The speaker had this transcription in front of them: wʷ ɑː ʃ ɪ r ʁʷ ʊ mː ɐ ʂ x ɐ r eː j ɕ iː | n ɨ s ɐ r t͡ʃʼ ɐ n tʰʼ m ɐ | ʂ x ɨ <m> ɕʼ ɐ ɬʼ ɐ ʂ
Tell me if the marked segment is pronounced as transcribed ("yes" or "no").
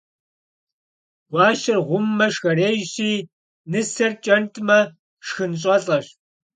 no